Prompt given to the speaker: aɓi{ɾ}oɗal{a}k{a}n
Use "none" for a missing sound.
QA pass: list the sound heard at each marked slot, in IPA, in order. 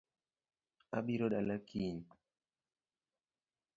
ɾ, a, i

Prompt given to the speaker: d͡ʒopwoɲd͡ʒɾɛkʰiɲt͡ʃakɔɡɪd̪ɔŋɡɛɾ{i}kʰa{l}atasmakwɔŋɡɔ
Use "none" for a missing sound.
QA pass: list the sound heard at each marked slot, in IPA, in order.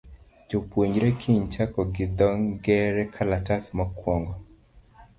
ɛ, l

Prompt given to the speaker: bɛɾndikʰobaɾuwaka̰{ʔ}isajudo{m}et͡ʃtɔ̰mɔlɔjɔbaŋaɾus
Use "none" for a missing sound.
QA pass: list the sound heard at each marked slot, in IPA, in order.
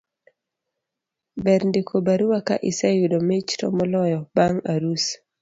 ʔ, m

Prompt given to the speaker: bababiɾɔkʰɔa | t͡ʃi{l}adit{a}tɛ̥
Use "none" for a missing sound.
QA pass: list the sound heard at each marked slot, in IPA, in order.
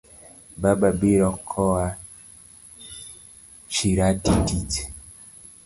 ɾ, i

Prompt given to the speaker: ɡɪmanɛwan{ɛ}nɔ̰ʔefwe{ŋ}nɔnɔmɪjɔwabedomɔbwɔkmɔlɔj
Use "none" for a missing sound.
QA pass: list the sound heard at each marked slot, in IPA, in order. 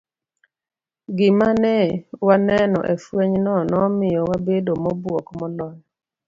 ɛ, ɲ

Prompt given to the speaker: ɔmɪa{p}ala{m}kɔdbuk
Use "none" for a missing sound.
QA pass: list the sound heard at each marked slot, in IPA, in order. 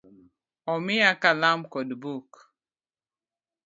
k, m

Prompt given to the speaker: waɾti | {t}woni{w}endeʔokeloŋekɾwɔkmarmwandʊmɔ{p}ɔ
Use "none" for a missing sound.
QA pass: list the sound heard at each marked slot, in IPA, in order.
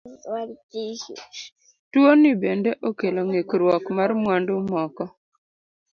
t, b, k

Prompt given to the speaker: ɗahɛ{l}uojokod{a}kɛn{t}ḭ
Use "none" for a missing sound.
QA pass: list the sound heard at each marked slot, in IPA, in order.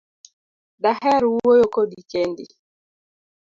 ɾ, i, d

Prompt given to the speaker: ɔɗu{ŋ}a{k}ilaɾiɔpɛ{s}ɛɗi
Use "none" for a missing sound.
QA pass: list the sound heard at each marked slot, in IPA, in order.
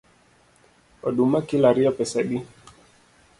m, k, s

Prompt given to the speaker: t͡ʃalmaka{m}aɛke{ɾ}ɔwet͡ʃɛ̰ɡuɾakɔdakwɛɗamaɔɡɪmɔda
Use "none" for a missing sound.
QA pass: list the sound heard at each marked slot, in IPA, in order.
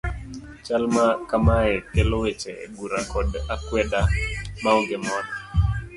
m, l

